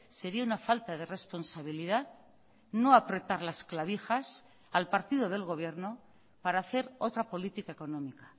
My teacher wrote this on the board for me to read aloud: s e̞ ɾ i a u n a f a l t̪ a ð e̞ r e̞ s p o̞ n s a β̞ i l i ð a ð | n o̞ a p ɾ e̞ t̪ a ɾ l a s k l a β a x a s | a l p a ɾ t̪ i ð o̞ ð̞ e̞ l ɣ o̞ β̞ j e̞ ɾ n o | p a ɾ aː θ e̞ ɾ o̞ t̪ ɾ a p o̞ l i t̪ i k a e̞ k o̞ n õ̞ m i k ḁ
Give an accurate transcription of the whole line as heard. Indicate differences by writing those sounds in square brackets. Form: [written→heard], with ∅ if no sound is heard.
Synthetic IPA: s e̞ ɾ i a u n a f a l t̪ a ð e̞ r e̞ s p o̞ n s a β̞ i l i ð a ð | n o̞ a p ɾ e̞ t̪ a ɾ l a s k l a β [a→i] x a s | a l p a ɾ t̪ i ð o̞ ð̞ e̞ l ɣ o̞ β̞ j e̞ ɾ n o | p a ɾ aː θ e̞ ɾ o̞ t̪ ɾ a p o̞ l i t̪ i k a e̞ k o̞ n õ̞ m i k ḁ